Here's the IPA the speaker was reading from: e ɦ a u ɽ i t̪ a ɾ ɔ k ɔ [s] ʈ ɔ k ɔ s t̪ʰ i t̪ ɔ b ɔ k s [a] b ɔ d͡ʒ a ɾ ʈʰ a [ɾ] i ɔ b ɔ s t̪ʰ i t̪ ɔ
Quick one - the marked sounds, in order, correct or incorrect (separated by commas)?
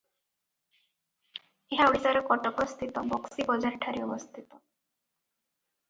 incorrect, incorrect, correct